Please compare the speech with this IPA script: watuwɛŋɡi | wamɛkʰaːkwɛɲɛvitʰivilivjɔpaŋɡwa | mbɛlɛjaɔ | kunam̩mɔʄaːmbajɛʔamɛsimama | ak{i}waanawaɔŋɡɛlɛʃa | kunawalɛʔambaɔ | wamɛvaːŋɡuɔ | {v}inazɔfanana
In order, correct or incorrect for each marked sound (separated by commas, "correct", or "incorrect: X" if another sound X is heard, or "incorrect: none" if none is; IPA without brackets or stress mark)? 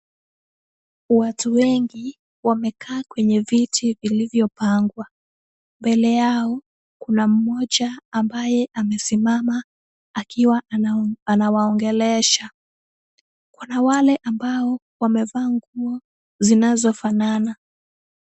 correct, incorrect: z